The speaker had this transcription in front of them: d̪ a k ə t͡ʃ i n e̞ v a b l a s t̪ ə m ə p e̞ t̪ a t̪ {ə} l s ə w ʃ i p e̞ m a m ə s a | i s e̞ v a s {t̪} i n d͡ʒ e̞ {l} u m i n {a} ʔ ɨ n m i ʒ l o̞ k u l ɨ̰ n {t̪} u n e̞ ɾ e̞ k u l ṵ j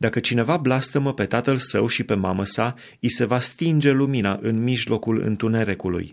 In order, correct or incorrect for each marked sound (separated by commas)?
correct, correct, correct, correct, correct